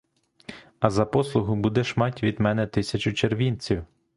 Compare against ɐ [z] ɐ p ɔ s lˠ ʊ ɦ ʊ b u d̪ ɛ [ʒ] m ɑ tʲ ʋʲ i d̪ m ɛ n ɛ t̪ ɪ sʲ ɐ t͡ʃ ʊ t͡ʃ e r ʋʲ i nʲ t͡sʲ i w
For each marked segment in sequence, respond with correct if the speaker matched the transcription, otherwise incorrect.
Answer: correct, incorrect: ʃ

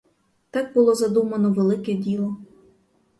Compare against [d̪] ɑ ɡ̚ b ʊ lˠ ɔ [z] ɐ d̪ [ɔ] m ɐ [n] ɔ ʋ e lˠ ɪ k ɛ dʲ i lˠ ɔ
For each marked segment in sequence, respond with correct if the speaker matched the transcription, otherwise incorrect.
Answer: incorrect: t̪, correct, incorrect: u, correct

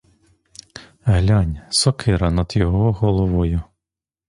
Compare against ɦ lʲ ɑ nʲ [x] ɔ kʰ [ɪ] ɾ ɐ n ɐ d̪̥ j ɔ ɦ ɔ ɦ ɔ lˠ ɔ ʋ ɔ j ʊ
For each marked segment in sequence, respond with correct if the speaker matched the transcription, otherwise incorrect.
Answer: incorrect: s, correct

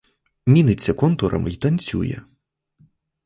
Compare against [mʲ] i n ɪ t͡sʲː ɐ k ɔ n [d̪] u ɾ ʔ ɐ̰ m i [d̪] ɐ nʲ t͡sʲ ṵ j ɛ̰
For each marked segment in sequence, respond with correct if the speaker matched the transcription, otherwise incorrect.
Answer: correct, incorrect: t̪, incorrect: t̪

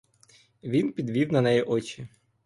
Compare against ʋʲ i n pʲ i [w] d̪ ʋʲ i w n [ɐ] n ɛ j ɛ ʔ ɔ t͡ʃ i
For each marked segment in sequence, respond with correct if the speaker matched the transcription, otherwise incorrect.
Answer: incorrect: none, correct

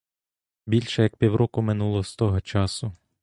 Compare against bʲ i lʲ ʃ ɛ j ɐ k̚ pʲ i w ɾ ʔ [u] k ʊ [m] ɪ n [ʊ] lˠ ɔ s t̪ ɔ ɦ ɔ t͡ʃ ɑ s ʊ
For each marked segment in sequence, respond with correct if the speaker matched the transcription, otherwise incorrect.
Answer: incorrect: ɔ, correct, incorrect: u

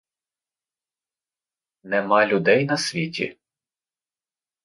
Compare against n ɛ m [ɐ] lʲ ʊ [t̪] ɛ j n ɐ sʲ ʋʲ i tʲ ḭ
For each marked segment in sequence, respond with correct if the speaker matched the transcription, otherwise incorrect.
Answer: incorrect: ɑ, incorrect: d̪

